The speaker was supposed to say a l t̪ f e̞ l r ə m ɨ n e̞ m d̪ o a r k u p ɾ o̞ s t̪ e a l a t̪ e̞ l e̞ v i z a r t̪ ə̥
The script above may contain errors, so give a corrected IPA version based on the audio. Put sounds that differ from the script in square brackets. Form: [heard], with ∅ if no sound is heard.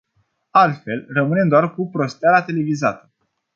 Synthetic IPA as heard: a l t̪ f e̞ l r ə m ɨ n e̞ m d̪ o a r k u p ɾ o̞ s t̪ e a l a t̪ e̞ l e̞ v i z a [∅] t̪ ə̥